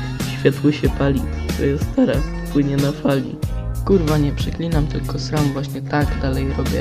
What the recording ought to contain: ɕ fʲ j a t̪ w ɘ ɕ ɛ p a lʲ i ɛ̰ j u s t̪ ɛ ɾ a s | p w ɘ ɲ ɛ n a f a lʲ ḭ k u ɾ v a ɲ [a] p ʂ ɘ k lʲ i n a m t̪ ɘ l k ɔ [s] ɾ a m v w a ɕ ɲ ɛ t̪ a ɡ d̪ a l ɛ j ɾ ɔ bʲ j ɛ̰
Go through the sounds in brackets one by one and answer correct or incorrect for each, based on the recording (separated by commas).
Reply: incorrect, correct